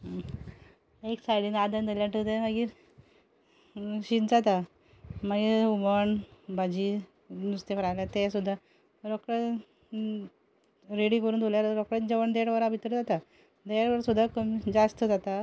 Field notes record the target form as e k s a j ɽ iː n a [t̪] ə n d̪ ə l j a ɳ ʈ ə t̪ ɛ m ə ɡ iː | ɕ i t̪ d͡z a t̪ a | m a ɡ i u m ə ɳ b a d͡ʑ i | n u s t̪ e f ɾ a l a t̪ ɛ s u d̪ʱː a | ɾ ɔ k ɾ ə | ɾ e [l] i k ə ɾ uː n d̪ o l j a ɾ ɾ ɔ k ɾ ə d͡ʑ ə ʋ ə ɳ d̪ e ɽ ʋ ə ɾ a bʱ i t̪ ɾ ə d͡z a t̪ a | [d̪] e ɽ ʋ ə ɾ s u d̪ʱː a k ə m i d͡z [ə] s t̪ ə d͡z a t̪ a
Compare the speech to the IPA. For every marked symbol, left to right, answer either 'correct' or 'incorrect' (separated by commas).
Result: incorrect, incorrect, correct, incorrect